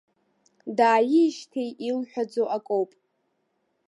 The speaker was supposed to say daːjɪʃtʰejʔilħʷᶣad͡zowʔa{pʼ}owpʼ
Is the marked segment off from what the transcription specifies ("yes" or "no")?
yes